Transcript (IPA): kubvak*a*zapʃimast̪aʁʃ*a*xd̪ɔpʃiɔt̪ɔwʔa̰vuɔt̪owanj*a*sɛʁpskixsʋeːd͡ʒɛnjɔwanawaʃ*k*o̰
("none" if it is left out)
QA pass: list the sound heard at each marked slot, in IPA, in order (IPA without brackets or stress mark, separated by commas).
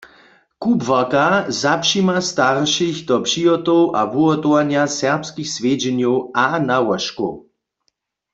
a, i, a, k